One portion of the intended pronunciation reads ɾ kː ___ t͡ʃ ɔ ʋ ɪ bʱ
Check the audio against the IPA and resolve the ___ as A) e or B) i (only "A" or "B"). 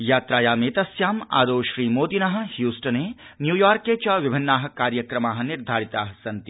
A